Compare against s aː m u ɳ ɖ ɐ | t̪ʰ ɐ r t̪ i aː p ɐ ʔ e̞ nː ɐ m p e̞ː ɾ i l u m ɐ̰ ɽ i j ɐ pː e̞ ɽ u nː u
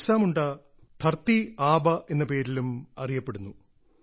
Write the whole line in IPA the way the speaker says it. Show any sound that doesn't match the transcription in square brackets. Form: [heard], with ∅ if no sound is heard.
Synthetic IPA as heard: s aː m u ɳ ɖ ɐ | t̪ʰ ɐ r t̪ i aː [b] ɐ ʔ e̞ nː ɐ [∅] p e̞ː ɾ i l u m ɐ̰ [r] i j ɐ pː e̞ ɽ u nː u